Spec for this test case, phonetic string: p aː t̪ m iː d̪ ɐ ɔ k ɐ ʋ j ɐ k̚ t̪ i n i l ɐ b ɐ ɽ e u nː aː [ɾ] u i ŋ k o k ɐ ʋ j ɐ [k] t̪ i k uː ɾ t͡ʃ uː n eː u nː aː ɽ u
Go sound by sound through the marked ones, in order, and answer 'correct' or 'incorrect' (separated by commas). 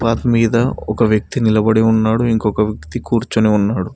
incorrect, correct